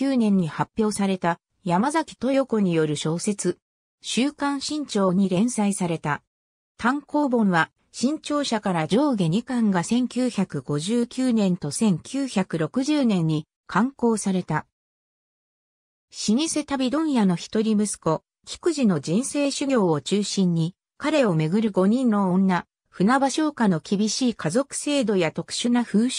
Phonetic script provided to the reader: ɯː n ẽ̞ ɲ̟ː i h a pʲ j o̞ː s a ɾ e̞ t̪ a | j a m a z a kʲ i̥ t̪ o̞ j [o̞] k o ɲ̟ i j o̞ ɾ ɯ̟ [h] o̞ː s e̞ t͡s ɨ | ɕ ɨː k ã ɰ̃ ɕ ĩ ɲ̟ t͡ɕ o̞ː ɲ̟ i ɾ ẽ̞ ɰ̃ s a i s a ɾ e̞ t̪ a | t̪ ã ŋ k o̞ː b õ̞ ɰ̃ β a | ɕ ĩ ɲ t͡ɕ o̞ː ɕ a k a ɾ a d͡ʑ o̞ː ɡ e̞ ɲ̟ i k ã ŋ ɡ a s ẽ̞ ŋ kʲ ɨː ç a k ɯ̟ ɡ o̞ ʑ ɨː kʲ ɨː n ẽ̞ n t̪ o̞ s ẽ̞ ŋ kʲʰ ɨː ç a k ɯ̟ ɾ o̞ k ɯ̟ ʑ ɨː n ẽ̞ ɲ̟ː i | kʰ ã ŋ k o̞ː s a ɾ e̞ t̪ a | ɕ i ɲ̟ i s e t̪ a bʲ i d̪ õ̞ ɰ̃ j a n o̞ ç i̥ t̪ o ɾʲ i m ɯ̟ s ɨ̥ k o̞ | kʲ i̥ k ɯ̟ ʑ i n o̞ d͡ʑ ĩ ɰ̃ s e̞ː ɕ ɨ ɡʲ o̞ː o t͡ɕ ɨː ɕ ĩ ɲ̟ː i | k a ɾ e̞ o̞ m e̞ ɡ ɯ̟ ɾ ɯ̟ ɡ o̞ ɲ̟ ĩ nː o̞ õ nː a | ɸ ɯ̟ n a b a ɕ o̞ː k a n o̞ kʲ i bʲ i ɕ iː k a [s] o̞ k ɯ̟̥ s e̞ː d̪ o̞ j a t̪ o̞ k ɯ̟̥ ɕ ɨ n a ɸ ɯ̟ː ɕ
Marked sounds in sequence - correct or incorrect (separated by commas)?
correct, incorrect, incorrect